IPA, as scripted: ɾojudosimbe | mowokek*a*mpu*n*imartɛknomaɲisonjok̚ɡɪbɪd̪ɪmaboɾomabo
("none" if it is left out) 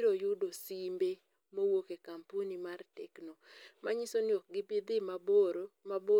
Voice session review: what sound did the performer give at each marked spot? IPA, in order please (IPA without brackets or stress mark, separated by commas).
a, n